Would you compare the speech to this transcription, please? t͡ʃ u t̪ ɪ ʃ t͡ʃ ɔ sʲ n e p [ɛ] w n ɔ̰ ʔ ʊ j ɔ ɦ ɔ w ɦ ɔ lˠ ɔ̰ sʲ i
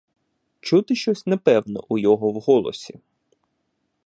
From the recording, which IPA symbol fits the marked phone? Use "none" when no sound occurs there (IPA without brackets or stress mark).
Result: ɛ